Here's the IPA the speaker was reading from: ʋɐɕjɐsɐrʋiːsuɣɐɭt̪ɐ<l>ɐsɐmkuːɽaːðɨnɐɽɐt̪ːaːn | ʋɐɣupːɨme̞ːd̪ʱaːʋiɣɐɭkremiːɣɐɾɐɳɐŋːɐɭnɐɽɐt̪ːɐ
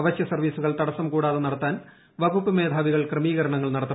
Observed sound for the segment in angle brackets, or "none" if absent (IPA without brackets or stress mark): ɽ